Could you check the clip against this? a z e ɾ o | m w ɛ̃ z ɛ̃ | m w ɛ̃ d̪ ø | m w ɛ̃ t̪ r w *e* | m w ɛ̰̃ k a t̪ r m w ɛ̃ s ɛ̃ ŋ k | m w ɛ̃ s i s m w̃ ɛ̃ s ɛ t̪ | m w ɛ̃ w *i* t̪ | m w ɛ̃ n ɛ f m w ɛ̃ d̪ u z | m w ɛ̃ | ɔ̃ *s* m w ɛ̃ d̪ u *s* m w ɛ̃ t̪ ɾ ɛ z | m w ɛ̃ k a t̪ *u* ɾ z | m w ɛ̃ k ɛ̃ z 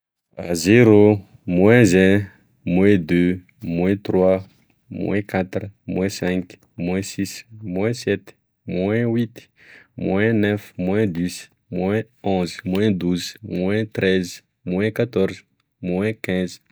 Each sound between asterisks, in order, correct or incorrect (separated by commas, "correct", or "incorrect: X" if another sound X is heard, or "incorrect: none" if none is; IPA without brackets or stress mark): incorrect: a, correct, incorrect: z, incorrect: z, incorrect: ɔ